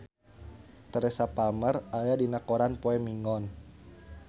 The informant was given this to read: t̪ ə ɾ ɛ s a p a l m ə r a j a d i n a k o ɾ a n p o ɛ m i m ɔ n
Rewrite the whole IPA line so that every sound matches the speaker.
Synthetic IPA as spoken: t̪ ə ɾ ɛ s a p a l m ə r a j a d i n a k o ɾ a n p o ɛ m i ŋ ɔ n